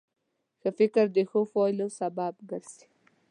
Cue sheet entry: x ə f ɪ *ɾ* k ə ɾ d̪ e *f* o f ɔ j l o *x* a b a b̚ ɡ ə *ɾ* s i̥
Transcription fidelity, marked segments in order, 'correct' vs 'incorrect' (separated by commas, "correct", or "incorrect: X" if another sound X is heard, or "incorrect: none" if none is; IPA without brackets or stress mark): incorrect: none, incorrect: x, incorrect: s, correct